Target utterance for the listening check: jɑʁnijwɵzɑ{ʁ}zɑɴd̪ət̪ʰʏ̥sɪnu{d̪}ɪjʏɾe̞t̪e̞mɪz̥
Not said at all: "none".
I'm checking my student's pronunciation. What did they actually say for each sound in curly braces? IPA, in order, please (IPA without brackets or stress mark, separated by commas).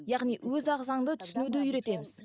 ʁ, d̪